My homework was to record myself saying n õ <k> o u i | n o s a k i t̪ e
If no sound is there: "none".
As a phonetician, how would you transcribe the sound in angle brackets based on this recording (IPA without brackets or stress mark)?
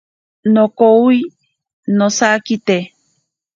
k